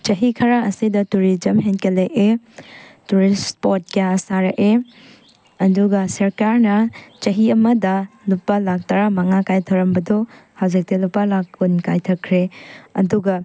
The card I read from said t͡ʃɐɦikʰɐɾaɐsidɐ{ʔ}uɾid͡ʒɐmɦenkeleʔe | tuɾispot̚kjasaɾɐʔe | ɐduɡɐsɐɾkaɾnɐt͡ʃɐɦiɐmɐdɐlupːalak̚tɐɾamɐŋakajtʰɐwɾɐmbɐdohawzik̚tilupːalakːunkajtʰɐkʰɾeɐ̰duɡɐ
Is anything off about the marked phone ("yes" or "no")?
yes